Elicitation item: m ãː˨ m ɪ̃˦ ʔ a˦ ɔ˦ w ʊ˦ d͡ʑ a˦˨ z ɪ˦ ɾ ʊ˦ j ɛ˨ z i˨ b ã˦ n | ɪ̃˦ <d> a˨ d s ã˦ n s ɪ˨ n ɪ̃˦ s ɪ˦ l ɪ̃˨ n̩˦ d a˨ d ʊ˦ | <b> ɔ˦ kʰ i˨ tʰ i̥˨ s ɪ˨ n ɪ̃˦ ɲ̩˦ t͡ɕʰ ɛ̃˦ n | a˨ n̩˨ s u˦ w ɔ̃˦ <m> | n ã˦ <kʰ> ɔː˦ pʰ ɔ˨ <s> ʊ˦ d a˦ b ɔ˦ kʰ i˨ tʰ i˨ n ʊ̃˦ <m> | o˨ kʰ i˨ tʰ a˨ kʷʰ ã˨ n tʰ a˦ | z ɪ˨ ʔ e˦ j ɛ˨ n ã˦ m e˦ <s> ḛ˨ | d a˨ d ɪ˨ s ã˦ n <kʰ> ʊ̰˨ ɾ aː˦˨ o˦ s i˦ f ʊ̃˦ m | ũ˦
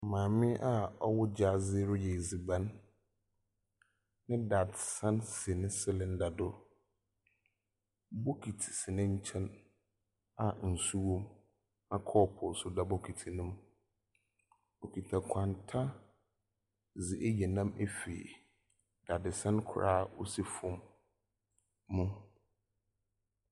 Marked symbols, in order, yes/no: yes, yes, yes, yes, yes, yes, no, yes

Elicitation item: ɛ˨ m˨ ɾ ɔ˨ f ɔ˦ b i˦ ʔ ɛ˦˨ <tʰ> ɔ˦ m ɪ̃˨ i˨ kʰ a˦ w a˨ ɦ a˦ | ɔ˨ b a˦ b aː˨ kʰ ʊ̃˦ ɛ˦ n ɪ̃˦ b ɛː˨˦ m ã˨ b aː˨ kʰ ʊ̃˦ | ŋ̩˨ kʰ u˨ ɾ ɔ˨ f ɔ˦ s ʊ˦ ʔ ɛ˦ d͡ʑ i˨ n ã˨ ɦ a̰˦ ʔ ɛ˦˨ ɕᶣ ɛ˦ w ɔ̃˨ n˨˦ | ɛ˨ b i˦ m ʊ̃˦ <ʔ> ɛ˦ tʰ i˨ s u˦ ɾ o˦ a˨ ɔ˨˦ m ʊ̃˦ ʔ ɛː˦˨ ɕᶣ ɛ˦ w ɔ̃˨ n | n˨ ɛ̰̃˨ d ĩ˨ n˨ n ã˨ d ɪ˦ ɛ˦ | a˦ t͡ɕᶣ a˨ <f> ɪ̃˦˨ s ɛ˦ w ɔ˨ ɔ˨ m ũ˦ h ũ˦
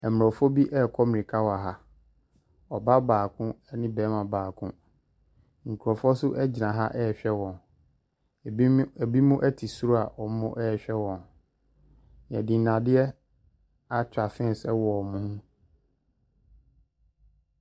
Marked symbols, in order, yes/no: no, yes, yes

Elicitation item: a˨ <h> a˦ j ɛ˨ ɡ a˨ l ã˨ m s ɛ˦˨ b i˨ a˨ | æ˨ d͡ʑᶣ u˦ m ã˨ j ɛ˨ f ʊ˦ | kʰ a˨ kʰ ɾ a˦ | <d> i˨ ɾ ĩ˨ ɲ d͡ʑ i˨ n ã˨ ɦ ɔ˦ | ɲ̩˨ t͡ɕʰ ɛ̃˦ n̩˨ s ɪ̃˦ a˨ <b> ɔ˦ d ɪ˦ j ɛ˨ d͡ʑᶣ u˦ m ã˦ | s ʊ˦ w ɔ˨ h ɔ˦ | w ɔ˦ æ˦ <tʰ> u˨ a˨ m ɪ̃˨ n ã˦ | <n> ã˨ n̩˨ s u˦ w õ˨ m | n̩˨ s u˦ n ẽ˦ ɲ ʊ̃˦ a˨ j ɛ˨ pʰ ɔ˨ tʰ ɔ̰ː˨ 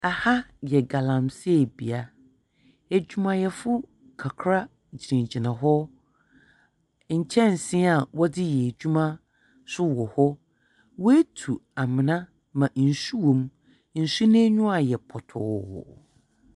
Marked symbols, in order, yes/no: yes, no, no, yes, no

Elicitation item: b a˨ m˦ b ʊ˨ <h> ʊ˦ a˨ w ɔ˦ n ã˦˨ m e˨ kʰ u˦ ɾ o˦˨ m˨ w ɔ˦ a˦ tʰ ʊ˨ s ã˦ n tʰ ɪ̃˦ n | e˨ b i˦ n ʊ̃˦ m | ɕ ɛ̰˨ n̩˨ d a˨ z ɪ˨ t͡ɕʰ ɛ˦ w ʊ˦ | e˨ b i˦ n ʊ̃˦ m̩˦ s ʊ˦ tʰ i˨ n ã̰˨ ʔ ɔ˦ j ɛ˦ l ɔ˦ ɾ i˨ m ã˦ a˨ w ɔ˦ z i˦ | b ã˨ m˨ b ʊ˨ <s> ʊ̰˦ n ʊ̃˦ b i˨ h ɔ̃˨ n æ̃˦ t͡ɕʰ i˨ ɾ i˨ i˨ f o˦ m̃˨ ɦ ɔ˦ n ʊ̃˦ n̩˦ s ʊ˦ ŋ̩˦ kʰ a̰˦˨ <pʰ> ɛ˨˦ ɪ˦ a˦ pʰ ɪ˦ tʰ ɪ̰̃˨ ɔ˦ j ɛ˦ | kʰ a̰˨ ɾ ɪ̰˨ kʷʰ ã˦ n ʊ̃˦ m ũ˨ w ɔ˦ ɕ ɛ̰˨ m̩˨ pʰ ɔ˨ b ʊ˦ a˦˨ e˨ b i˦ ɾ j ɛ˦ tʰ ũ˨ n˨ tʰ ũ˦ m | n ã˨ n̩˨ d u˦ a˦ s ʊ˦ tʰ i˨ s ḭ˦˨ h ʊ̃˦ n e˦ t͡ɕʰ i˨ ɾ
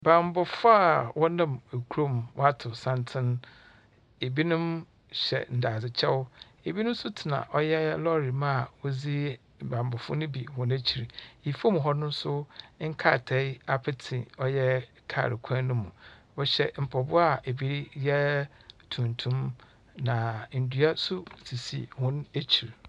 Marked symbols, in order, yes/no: no, no, no

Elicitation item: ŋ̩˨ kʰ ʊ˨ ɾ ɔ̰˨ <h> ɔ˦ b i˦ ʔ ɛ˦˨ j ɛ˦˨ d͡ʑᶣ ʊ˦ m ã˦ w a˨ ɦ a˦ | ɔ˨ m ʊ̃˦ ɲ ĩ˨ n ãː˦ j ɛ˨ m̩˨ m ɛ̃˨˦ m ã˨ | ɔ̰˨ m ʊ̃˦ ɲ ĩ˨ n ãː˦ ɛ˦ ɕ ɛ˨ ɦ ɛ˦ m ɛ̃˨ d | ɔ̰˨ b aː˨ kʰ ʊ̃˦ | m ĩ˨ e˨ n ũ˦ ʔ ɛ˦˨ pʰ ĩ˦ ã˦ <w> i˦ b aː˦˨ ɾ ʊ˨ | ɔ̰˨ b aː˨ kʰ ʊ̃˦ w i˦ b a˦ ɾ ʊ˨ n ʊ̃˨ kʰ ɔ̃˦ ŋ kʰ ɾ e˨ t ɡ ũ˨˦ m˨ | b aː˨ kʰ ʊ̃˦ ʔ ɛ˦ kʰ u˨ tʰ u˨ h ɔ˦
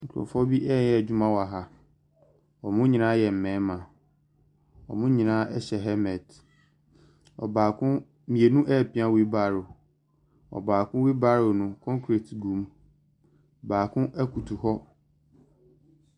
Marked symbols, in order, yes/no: no, yes

